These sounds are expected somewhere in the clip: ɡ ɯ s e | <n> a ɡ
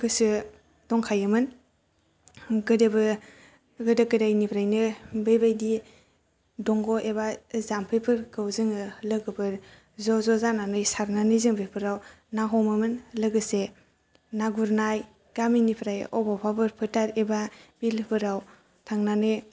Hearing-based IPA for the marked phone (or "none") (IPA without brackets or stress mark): n